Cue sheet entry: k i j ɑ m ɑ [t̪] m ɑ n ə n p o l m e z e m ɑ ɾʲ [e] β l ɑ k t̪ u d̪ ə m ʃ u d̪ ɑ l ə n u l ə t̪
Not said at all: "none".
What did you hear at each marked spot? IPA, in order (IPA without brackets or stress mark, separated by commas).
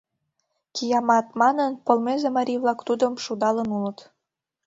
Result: t̪, i